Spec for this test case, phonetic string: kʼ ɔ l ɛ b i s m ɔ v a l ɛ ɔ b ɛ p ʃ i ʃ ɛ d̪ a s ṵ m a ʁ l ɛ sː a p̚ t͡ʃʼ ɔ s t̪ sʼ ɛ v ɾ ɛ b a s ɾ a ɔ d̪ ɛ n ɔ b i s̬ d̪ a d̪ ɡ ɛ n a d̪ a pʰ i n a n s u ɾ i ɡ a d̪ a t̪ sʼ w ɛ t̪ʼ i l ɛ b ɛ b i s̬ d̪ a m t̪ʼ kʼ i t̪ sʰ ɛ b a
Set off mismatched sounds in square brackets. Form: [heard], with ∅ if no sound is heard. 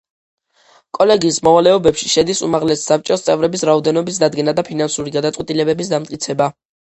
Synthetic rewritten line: kʼ ɔ l ɛ [ɡ] i s m ɔ v a l ɛ ɔ b ɛ p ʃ i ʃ ɛ d̪ [i] s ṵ m a ʁ l ɛ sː a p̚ t͡ʃʼ ɔ s t̪ sʼ ɛ v ɾ ɛ b [i] s ɾ a ɔ d̪ ɛ n ɔ b i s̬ d̪ a d̪ ɡ ɛ n a d̪ a pʰ i n a n s u ɾ i ɡ a d̪ a t̪ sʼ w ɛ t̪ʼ i l ɛ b ɛ b i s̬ d̪ a m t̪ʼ kʼ i t̪ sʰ ɛ b a

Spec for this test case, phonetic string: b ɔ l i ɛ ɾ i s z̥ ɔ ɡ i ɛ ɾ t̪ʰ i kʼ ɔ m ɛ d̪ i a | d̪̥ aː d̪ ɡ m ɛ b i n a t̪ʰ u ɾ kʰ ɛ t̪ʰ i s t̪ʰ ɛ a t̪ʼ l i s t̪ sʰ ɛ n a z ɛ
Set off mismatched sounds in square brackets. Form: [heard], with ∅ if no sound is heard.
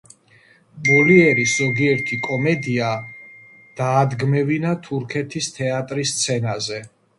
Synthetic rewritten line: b ɔ l i ɛ ɾ i s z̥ ɔ ɡ i ɛ ɾ t̪ʰ i kʼ ɔ m ɛ d̪ i a | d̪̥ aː d̪ ɡ m ɛ [v] i n a t̪ʰ u ɾ kʰ ɛ t̪ʰ i s t̪ʰ ɛ a t̪ʼ [ɾ] i s t̪ sʰ ɛ n a z ɛ

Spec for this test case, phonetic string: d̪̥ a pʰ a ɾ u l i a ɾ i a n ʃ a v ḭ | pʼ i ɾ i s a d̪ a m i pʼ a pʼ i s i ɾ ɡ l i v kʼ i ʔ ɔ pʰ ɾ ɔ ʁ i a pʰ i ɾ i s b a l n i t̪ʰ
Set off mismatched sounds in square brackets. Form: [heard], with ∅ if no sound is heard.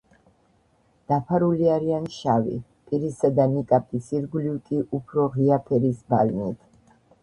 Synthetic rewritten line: d̪̥ a pʰ a ɾ u l i a ɾ i a n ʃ a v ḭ | pʼ i ɾ i s a d̪ a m i [kʼ] a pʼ i s i ɾ ɡ l i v kʼ i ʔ [u] pʰ ɾ ɔ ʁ i a pʰ [ɛ] ɾ i s b a l n i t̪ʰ

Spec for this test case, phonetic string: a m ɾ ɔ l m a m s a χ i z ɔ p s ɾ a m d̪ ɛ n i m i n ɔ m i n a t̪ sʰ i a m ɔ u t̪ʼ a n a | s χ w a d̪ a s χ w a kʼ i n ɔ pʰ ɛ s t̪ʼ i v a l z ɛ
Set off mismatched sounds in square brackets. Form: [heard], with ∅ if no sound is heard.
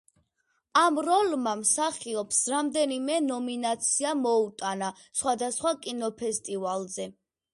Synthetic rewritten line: a m ɾ ɔ l m a m s a χ i [∅] ɔ p s ɾ a m d̪ ɛ n i m [ɛ] n ɔ m i n a t̪ sʰ i a m ɔ u t̪ʼ a n a | s χ w a d̪ a s χ w a kʼ i n ɔ pʰ ɛ s t̪ʼ i v a l z ɛ

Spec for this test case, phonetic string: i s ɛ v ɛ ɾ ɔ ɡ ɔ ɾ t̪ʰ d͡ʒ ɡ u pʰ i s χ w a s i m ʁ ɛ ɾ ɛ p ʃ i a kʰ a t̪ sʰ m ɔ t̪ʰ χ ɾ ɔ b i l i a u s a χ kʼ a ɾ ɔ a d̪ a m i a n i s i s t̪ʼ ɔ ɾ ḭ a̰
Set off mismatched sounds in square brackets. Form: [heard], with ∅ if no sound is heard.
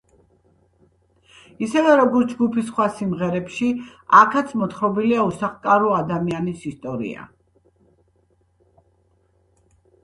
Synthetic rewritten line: i s ɛ v ɛ ɾ ɔ ɡ ɔ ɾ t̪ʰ d͡ʒ ɡ u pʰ i s χ w a s i m ʁ ɛ ɾ ɛ p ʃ i a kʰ a t̪ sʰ m ɔ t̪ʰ χ ɾ ɔ b i l i a u s a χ kʼ a ɾ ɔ a d̪ a m i a n i s i s t̪ʼ ɔ ɾ ḭ a̰

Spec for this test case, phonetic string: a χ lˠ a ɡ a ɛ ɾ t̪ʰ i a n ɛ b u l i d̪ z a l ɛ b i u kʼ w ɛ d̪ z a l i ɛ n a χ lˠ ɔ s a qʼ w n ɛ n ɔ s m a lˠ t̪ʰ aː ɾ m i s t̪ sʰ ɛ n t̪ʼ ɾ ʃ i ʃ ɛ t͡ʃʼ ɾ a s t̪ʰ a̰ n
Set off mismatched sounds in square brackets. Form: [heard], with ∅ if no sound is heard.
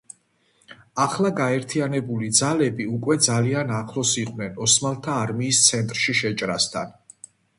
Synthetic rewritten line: a χ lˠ a ɡ a ɛ ɾ t̪ʰ i a n ɛ b u l i d̪ z a l ɛ b i u kʼ w ɛ d̪ z a l i [a] n a χ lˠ ɔ s [i] qʼ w n ɛ n ɔ s m a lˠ t̪ʰ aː ɾ m [iː] s t̪ sʰ ɛ n t̪ʼ ɾ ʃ i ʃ ɛ t͡ʃʼ ɾ a s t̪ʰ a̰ n

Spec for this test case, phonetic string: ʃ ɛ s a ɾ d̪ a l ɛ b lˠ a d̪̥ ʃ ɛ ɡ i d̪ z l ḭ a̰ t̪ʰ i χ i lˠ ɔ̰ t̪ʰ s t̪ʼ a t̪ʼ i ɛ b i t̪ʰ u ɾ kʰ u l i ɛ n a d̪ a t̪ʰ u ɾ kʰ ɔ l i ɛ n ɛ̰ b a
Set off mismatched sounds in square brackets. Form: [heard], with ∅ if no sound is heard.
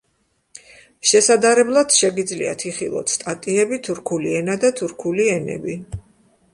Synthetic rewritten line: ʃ ɛ s a [∅] d̪ a [ɾ] ɛ b lˠ a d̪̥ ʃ ɛ ɡ i d̪ z l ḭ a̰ t̪ʰ i χ i lˠ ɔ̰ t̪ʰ s t̪ʼ a t̪ʼ i ɛ b i t̪ʰ u ɾ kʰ u l i ɛ n a d̪ a t̪ʰ u ɾ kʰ [u] l i ɛ n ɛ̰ b [i]

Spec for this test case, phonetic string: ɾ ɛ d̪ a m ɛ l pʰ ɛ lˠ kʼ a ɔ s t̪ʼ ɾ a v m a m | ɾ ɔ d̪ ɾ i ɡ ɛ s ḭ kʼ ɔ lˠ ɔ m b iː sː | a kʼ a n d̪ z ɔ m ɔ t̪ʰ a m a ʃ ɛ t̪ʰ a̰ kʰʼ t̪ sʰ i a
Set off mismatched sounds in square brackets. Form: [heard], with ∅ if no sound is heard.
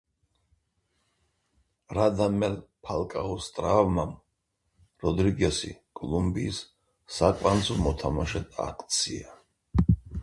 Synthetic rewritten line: ɾ [a] d̪ a m ɛ l pʰ [a] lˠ kʼ a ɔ s t̪ʼ ɾ a v m a m | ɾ ɔ d̪ ɾ i ɡ ɛ s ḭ kʼ ɔ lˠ [u] m b iː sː | a kʼ a n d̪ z ɔ m ɔ t̪ʰ a m a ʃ ɛ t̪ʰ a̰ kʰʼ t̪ sʰ i a

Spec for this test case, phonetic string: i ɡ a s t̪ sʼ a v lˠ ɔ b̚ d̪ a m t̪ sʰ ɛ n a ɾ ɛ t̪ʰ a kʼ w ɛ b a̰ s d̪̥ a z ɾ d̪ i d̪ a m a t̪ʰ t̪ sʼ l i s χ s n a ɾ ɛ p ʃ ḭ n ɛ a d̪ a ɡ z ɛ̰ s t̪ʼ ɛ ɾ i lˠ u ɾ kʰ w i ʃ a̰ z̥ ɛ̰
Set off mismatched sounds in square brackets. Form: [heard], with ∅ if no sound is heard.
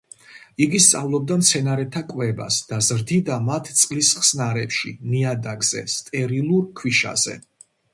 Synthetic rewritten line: i ɡ [i] s t̪ sʼ a v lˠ ɔ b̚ d̪ a m t̪ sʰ ɛ n a ɾ ɛ t̪ʰ a kʼ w ɛ b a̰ s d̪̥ a z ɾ d̪ i d̪ a m a t̪ʰ t̪ sʼ l i s χ s n a ɾ ɛ p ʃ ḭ n [i] a d̪ a ɡ z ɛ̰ s t̪ʼ ɛ ɾ i lˠ u ɾ kʰ w i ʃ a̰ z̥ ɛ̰

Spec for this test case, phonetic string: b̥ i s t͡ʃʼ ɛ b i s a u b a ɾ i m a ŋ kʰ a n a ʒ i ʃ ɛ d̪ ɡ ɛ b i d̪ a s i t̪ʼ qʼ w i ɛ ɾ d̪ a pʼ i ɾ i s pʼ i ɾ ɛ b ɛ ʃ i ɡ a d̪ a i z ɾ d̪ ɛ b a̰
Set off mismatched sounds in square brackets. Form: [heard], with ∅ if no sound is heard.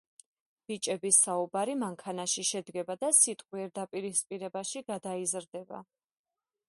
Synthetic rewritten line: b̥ i [∅] t͡ʃʼ ɛ b i s a u b a ɾ i m a ŋ kʰ a n a [ʃ] i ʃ ɛ d̪ ɡ ɛ b [a] d̪ a s i t̪ʼ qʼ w i ɛ ɾ d̪ a pʼ i ɾ i s pʼ i ɾ ɛ b [a] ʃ i ɡ a d̪ a i z ɾ d̪ ɛ b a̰

